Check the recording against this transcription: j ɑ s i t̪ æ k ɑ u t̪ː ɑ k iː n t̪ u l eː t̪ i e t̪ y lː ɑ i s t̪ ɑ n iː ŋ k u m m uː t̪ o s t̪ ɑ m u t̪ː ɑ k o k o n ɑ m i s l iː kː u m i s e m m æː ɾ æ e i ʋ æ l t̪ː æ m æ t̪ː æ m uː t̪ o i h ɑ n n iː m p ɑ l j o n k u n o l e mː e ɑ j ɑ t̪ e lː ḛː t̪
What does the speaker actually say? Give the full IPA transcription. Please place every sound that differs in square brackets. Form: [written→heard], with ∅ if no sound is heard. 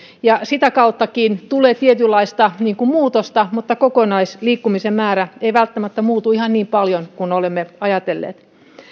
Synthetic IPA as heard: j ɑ s i t̪ æ k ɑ u t̪ː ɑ k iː n t̪ u l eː t̪ i e t̪ y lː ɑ i s t̪ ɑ n iː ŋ k u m m uː t̪ o s t̪ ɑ m u t̪ː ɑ k o k o n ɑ [m→∅] i s l iː kː u m i s e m m æː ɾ æ e i ʋ æ l t̪ː æ m æ t̪ː æ m uː t̪ [o→u] i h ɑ n n iː m p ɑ l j o n k u n o l e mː e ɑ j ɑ t̪ e lː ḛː t̪